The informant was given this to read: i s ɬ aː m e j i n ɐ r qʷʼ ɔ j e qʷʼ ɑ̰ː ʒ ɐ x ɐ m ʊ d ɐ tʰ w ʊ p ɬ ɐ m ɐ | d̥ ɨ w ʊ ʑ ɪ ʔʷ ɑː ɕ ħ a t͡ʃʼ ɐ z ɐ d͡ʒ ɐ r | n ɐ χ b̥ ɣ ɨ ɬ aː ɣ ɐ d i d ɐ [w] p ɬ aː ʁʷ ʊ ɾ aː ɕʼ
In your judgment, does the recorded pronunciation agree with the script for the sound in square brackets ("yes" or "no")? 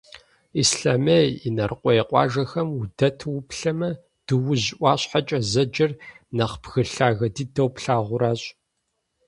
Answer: yes